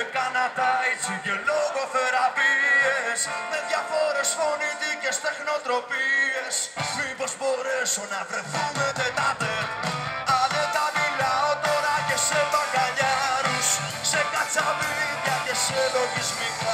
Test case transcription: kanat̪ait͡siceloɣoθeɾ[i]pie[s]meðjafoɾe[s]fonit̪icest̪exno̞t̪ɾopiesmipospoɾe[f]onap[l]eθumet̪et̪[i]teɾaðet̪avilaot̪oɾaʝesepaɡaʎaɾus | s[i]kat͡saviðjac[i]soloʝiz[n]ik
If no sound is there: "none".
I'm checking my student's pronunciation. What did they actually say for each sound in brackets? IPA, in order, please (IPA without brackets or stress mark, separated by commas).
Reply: a, s, s, s, ɾ, a, e, e, m